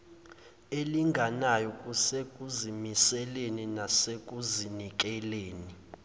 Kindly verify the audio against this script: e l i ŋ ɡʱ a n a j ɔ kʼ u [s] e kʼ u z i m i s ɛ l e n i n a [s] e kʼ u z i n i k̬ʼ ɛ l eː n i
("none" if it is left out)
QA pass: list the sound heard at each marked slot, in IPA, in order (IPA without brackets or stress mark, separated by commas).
s, s